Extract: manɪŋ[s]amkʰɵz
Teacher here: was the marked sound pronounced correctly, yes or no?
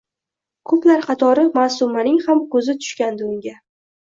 no